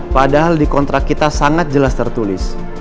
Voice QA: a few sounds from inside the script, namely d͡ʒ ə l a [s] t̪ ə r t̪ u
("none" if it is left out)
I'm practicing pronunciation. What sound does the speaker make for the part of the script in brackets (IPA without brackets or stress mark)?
s